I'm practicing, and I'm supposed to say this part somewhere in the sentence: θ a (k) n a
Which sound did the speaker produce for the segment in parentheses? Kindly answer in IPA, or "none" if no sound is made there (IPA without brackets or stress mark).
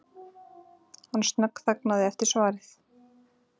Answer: k